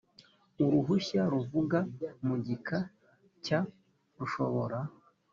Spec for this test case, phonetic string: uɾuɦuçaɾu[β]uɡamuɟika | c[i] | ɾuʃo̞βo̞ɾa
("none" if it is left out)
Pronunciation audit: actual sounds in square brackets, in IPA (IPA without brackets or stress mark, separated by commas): v, a